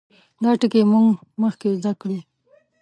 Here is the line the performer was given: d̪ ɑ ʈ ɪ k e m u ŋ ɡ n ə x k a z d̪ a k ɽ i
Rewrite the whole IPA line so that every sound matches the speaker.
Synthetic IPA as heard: d̪ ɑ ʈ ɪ k e m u ŋ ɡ m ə x k e z d̪ a k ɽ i